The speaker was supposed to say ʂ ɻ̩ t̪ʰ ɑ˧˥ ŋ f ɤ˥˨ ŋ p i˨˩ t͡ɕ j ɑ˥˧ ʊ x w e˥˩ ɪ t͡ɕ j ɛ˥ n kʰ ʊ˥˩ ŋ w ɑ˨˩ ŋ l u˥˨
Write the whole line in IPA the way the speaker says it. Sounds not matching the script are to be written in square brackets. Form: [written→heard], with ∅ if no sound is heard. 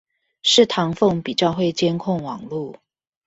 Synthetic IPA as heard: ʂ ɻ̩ t̪ʰ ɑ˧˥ ŋ f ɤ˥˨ ŋ p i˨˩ t͡ɕ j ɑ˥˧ ʊ x w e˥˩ ɪ t͡ɕ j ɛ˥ n kʰ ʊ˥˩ ŋ w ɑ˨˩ ŋ l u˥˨